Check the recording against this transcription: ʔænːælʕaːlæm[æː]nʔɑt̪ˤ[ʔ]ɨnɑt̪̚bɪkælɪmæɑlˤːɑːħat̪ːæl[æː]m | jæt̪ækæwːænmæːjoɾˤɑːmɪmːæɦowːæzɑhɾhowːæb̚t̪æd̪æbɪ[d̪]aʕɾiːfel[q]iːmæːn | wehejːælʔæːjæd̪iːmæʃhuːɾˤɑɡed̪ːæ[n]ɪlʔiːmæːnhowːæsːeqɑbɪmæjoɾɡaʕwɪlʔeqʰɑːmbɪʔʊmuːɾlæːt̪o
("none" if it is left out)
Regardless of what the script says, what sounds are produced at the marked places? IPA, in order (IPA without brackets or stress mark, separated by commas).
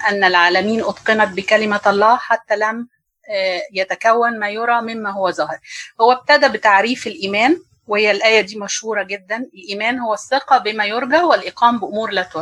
iː, q, æ, t̪, ʔ, n